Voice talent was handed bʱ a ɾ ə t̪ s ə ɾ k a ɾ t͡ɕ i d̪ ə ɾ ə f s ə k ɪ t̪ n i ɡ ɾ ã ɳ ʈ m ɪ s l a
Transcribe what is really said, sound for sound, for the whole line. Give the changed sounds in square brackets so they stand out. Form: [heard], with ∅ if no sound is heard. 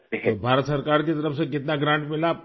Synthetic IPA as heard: bʱ a ɾ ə t̪ s ə ɾ k a ɾ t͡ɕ i [t̪] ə ɾ ə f s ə k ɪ t̪ n [a] ɡ ɾ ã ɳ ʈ m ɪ [∅] l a

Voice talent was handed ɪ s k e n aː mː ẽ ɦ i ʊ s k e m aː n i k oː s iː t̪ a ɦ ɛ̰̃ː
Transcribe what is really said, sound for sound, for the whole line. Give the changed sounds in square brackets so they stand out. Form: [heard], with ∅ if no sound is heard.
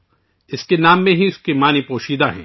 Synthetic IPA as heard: ɪ s k e n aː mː ẽ ɦ i ʊ s k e m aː n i [p] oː [ʃ] iː [d̪] a ɦ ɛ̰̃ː

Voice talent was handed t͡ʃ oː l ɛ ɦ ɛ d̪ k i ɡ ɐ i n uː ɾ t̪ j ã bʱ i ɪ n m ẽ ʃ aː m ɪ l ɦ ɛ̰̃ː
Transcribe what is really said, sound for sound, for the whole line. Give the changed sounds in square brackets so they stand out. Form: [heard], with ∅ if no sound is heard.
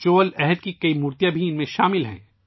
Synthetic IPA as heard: t͡ʃ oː l ɛ ɦ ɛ d̪ k i [k] ɐ i [m] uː ɾ t̪ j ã bʱ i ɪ n m ẽ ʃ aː m ɪ l ɦ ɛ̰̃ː

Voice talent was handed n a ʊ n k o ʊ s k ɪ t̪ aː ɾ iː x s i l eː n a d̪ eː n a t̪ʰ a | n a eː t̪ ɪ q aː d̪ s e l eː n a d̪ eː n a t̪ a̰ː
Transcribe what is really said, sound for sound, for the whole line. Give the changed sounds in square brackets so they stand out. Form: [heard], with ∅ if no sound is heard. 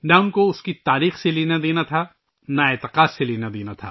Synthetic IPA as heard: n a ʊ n k o ʊ s k [i] t̪ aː ɾ iː x s [e] l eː n a d̪ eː n a t̪ʰ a | n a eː t̪ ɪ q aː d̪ s e l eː n a d̪ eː n a [t̪ʰ] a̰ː

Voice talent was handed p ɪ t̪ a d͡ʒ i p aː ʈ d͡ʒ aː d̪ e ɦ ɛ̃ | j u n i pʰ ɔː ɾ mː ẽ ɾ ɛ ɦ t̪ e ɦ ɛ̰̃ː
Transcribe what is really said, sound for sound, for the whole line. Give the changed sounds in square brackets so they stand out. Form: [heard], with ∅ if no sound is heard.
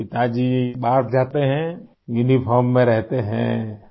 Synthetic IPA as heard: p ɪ t̪ a d͡ʒ i [b] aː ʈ d͡ʒ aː [t̪] e ɦ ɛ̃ | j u n i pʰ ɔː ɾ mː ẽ ɾ ɛ ɦ t̪ e ɦ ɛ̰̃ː

